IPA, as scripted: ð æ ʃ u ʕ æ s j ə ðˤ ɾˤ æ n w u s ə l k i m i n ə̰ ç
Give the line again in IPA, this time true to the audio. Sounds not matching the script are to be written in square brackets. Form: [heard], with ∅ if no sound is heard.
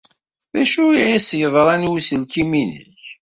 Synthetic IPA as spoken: ð æ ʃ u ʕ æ s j ə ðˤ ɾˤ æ n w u s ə l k i m i n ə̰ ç

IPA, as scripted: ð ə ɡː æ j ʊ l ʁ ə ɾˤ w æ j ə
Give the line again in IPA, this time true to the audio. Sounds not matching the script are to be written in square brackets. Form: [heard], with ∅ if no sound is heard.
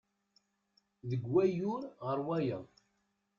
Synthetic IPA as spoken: ð ə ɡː æ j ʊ [ɾ] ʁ ə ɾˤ w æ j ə

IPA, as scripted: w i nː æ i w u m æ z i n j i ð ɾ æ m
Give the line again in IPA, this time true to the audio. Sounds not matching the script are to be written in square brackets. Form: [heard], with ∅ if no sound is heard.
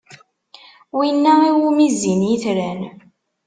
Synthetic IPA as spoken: w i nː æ i w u m [i] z i n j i [θ] ɾ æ [n]

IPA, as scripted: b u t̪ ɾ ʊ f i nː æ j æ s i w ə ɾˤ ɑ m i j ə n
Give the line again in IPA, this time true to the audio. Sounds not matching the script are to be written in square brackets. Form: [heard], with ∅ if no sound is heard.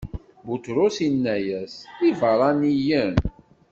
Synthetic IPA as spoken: b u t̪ ɾ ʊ [s] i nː æ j æ s i [v] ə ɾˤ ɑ [n] i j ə n

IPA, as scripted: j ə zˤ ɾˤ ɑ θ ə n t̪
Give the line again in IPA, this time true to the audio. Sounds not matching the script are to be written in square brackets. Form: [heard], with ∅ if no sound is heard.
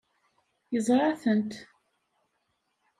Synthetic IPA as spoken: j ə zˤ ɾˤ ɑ θ ə n t̪

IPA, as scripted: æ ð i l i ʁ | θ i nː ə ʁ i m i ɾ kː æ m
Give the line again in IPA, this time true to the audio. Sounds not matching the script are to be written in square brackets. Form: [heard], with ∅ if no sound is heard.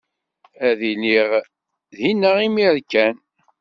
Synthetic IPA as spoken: æ ð i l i ʁ | [ð] i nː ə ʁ i m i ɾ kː æ [n]

